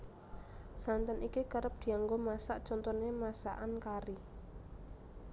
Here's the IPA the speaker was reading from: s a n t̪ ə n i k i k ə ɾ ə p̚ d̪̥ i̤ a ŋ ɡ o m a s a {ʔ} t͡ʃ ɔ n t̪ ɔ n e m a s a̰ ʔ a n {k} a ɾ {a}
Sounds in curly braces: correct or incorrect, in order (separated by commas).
correct, correct, incorrect